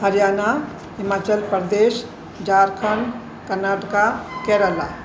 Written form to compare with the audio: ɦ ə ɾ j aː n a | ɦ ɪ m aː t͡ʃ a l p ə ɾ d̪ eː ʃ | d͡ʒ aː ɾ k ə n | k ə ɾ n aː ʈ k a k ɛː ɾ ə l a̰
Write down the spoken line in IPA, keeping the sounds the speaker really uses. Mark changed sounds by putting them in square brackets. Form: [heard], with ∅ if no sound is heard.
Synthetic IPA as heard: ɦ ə ɾ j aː n a | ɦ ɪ m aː t͡ʃ [ə] l p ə ɾ d̪ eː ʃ | d͡ʒ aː ɾ [kʰ] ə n | k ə ɾ n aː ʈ k a k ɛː ɾ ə l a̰